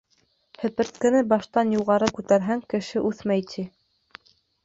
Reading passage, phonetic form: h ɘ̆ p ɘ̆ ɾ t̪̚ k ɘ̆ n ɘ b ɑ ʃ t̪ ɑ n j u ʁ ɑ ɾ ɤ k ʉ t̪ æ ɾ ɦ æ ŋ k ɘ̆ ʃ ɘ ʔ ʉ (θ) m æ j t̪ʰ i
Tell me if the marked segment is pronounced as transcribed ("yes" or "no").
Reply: yes